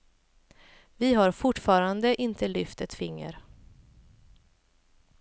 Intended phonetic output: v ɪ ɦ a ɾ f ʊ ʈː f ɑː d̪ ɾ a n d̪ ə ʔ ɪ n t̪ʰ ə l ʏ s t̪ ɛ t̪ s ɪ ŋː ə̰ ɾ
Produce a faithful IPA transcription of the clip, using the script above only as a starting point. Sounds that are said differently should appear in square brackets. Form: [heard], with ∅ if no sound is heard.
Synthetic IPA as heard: v ɪ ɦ a ɾ f ʊ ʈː f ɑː [∅] ɾ a n d̪ ə ʔ ɪ n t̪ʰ ə l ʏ [f] t̪ ɛ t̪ [f] ɪ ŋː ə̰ ɾ